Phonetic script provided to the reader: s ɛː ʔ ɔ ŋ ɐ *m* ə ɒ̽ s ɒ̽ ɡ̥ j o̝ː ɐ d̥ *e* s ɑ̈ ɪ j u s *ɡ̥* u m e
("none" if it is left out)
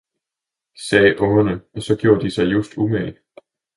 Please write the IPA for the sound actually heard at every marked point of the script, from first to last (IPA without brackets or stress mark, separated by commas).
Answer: n, i, d̥